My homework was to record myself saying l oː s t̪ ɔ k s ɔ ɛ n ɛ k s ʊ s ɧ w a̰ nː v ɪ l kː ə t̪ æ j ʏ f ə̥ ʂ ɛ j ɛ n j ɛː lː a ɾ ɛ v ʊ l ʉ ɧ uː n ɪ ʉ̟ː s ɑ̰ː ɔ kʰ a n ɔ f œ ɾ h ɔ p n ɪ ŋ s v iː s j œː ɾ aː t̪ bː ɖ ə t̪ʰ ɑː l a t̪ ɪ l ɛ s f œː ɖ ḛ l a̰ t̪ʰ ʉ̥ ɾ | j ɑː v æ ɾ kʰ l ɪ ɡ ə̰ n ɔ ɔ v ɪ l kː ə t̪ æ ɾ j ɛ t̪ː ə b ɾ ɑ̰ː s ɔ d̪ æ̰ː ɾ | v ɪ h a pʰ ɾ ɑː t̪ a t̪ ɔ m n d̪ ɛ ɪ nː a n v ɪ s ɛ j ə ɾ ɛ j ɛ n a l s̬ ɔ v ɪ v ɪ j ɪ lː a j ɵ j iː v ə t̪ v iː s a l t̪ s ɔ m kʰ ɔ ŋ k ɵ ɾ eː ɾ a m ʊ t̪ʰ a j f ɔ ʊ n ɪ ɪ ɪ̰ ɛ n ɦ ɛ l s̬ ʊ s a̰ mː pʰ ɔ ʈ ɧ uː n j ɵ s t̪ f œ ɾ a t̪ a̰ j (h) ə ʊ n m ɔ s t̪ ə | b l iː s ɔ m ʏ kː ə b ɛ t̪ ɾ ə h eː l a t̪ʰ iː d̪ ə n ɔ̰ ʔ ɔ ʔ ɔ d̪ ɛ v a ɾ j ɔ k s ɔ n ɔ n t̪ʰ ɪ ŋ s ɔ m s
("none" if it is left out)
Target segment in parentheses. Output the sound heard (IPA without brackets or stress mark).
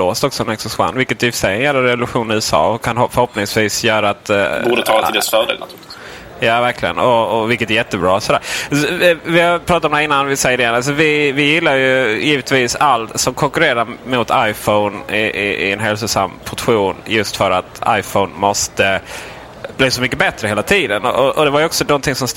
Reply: f